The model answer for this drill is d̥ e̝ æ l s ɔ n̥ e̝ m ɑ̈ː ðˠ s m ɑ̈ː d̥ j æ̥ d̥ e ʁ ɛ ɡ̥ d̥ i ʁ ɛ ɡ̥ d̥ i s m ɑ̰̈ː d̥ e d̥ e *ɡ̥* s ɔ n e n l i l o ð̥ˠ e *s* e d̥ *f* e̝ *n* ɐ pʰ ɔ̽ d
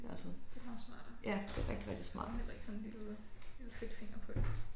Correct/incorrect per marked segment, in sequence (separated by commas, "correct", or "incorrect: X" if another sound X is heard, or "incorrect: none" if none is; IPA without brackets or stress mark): correct, incorrect: f, correct, incorrect: ŋ